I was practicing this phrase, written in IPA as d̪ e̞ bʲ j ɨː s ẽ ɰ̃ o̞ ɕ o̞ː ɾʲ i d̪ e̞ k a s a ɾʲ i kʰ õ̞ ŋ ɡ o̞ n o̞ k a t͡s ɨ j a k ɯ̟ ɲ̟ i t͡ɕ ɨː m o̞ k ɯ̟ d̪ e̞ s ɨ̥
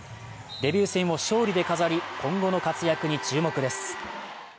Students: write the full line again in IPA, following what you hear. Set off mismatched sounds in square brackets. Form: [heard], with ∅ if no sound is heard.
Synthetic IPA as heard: d̪ e̞ bʲ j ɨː s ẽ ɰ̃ o̞ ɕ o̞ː ɾʲ i d̪ e̞ k a [z] a ɾʲ i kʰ õ̞ ŋ ɡ o̞ n o̞ k a t͡s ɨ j a k ɯ̟ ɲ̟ i t͡ɕ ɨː m o̞ k ɯ̟ d̪ e̞ s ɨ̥

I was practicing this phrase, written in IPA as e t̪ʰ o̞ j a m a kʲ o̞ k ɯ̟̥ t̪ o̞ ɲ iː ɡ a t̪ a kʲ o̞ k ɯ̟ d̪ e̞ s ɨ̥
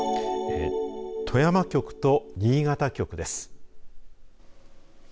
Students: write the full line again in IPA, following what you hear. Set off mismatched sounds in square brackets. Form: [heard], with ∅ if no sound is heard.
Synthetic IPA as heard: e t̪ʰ o̞ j a m a kʲ o̞ k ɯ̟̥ t̪ o̞ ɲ iː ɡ a t̪ a kʲ o̞ k ɯ̟ d̪ e̞ s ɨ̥

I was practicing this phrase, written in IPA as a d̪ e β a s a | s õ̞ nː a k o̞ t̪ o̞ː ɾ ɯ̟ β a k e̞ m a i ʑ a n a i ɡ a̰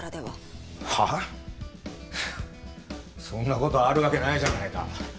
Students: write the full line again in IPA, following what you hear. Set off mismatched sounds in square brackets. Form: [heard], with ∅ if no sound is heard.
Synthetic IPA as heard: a d̪ e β a [h] a | s õ̞ nː a k o̞ t̪ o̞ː ɾ ɯ̟ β a k e̞ [n] a i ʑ a n a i [k] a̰

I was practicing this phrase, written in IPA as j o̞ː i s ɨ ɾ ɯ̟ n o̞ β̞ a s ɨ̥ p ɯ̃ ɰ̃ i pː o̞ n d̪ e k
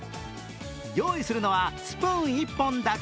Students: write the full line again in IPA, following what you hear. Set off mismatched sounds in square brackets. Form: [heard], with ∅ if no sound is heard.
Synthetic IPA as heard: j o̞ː i s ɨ ɾ ɯ̟ n o̞ β̞ a s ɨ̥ p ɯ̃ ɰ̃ i pː [õ̞] n d̪ [a] k

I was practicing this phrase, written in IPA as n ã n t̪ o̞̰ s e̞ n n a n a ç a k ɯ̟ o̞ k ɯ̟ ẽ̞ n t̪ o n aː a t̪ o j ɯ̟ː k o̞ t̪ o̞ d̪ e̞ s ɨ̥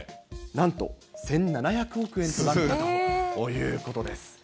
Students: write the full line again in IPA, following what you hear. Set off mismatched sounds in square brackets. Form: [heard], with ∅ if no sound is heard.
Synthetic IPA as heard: n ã n t̪ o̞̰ s [ẽ̞] n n a n a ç a k ɯ̟ o̞ k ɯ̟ ẽ̞ n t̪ o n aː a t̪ o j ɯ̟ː k o̞ t̪ o̞ d̪ e̞ s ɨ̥

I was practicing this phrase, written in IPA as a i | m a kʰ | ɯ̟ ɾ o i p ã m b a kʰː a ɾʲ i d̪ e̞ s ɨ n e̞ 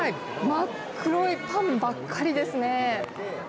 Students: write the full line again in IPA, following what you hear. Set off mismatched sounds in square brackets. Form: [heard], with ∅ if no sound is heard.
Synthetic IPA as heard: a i | m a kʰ | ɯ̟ ɾ o i p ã m b a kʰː a ɾʲ i d̪ e̞ s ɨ n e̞

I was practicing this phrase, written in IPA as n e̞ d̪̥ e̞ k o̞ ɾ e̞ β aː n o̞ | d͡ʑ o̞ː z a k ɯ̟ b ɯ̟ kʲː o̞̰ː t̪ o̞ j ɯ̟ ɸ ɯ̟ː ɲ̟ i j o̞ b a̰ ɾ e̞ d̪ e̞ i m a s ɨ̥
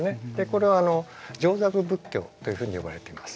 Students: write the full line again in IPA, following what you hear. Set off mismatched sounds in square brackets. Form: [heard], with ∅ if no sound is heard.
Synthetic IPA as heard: n e̞ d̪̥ e̞ k o̞ ɾ e̞ β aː n o̞ | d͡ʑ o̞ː z a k ɯ̟ b ɯ̟ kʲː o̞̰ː t̪ o̞ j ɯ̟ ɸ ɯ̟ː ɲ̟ i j o̞ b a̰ ɾ e̞ [t̪] e̞ i m a s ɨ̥

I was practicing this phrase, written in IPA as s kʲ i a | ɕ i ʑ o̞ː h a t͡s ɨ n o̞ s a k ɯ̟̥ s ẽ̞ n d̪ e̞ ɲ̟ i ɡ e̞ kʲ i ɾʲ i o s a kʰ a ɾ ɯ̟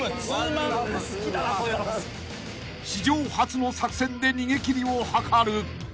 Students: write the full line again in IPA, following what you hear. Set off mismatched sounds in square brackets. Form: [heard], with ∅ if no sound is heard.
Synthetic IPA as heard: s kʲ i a | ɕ i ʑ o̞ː h a t͡s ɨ n o̞ s a k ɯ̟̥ s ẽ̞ n d̪ e̞ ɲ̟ i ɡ e̞ kʲ i ɾʲ i o [h] a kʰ a ɾ ɯ̟

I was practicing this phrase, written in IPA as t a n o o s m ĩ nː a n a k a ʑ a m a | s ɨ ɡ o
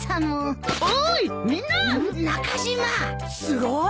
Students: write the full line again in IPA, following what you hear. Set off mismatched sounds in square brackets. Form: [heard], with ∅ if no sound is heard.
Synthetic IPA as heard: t a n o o [∅] m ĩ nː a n a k a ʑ [i] m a | s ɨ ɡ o

